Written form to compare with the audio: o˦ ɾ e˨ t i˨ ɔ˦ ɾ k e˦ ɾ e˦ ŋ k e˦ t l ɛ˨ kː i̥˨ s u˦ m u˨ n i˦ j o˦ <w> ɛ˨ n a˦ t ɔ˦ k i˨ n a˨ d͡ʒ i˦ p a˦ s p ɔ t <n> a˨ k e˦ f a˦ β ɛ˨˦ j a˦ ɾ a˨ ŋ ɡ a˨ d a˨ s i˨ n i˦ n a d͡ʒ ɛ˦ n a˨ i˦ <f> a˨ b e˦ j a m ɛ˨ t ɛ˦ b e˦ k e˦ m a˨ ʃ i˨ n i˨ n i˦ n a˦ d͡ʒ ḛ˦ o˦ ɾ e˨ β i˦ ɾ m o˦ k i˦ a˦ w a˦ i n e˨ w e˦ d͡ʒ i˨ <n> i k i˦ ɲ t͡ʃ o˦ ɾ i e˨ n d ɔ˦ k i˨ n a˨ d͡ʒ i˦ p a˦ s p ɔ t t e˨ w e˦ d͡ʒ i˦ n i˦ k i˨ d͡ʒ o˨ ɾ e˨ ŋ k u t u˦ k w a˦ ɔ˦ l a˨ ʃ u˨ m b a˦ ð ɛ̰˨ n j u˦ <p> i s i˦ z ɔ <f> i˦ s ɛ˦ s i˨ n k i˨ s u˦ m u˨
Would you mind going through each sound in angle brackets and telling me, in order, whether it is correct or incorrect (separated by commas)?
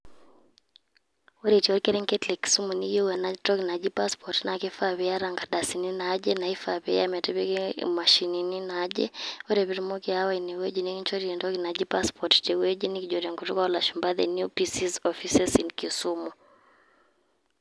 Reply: correct, correct, correct, correct, correct, correct